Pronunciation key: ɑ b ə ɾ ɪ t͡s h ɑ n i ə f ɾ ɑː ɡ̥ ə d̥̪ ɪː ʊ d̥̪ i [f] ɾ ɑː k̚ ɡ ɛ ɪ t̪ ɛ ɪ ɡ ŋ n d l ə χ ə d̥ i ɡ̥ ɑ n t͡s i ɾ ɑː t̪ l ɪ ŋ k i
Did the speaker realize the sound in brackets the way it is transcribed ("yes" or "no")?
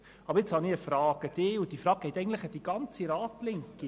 yes